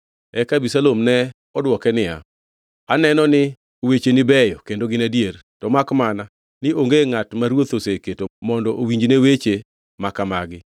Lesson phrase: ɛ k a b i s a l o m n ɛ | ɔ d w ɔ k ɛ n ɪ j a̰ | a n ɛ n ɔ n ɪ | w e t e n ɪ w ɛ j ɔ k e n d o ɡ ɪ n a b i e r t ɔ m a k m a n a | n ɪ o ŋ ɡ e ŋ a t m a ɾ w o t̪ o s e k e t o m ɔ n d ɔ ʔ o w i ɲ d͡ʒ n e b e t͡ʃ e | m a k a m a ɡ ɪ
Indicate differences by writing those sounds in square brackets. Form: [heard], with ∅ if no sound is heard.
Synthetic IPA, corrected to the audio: ɛ k a b i s a l o m n ɛ | ɔ d w ɔ k ɛ n ɪ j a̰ | a n ɛ n ɔ n ɪ | w e [t͡ʃ] e n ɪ [b] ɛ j ɔ k e n d o ɡ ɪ n a [d] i e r t ɔ m a k m a n a | n ɪ o ŋ ɡ e ŋ a t m a ɾ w o t̪ o s e k e t o m ɔ n d ɔ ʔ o w i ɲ d͡ʒ n e [w] e t͡ʃ e | m a k a m a ɡ ɪ

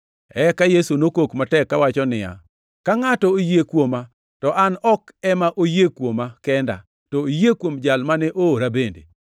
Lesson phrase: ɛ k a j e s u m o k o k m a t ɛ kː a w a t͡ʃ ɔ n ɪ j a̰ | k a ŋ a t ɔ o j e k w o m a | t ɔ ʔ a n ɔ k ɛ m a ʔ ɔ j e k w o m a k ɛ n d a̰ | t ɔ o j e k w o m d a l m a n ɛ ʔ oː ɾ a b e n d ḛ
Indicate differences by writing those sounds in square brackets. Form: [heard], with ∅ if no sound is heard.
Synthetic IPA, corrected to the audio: ɛ k a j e s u [n] o k o k m a t ɛ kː a w a t͡ʃ ɔ n ɪ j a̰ | k a ŋ a t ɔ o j e k w o m a | t ɔ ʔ a n ɔ k ɛ m a ʔ [o] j e k w o m a k ɛ n d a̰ | t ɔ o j e k w o m [d͡ʒ] a l m a n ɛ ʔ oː ɾ a b e n d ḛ

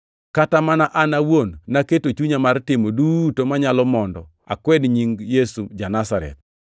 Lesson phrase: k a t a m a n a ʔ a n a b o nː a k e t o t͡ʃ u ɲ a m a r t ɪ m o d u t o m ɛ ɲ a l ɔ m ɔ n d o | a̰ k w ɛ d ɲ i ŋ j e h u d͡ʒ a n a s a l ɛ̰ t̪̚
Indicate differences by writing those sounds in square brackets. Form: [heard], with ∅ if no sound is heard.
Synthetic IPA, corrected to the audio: k a t a m a n a ʔ a n a [w] o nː a k e t o t͡ʃ u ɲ a m a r t ɪ m o d u t o m [a] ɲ a l ɔ m ɔ n d [ɔ] | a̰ k w ɛ d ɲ i ŋ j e [s] u d͡ʒ a n a s a [ɾ] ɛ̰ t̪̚

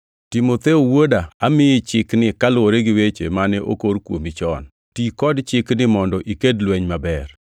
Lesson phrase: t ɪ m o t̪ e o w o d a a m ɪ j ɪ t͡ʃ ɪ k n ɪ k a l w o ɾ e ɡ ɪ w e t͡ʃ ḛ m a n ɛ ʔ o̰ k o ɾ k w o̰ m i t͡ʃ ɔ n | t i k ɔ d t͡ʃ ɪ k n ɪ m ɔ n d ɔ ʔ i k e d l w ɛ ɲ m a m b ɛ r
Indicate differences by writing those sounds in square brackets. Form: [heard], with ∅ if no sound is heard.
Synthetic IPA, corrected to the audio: t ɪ m o t̪ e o w o d a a m ɪ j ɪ t͡ʃ ɪ k n ɪ k a l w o ɾ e ɡ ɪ w e t͡ʃ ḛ m a n ɛ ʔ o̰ k o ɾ k w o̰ m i t͡ʃ ɔ n | t i k ɔ d t͡ʃ ɪ k n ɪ m ɔ n d ɔ ʔ i k e d l w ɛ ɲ m a [∅] b ɛ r

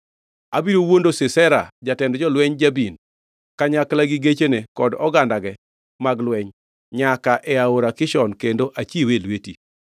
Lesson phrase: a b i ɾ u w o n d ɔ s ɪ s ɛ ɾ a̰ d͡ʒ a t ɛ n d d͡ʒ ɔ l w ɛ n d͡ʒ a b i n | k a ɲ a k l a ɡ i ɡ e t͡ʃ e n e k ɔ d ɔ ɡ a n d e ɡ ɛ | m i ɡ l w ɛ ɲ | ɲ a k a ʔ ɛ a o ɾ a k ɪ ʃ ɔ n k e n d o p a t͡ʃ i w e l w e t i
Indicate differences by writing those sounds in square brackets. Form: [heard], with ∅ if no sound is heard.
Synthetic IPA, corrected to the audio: a b i ɾ [o] w o n d [o] s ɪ s ɛ ɾ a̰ d͡ʒ a t ɛ n d d͡ʒ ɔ l w ɛ [ɲ] d͡ʒ a b i n | k a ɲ a k l a ɡ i ɡ e t͡ʃ e n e k ɔ d ɔ ɡ a n d [a] ɡ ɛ | m [a] ɡ l w ɛ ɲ | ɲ a k a ʔ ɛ a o ɾ a k ɪ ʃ ɔ n k e n d o [ʔ] a t͡ʃ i w e l w e t i

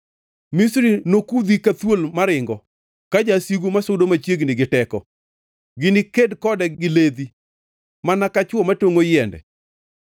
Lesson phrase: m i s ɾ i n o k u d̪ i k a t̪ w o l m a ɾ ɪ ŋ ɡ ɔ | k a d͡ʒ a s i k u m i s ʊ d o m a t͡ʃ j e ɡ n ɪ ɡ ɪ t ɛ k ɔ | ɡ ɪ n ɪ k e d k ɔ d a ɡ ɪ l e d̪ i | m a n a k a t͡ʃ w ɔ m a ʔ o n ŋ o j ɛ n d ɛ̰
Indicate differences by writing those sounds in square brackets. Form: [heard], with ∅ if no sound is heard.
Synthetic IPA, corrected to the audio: m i s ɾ i n o k u d̪ i k a t̪ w o l m a ɾ ɪ ŋ ɡ ɔ | k a d͡ʒ a s i [ɡ] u m [a] s ʊ d o m a t͡ʃ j e ɡ n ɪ ɡ ɪ t ɛ k ɔ | ɡ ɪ n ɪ k e d k ɔ d [ɛ] ɡ ɪ l e d̪ i | m a n a k a t͡ʃ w ɔ m a [t] o [∅] ŋ o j ɛ n d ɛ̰

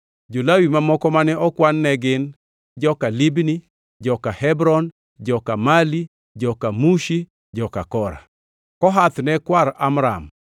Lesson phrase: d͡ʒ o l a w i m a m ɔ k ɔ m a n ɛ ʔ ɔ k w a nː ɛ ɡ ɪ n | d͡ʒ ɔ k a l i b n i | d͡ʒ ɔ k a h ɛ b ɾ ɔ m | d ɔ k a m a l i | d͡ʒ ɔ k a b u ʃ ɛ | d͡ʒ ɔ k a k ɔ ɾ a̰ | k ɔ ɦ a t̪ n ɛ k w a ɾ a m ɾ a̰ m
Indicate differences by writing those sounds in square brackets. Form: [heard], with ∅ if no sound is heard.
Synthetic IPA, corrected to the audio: d͡ʒ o l a w i m a m ɔ k ɔ m a n ɛ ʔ ɔ k w a nː ɛ ɡ ɪ n | d͡ʒ ɔ k a l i b n i | d͡ʒ ɔ k a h ɛ b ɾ ɔ [n] | [d͡ʒ] ɔ k a m a l i | d͡ʒ ɔ k a [m] u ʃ [i] | d͡ʒ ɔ k a k ɔ ɾ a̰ | k ɔ ɦ a t̪ n ɛ k w a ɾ a m ɾ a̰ m

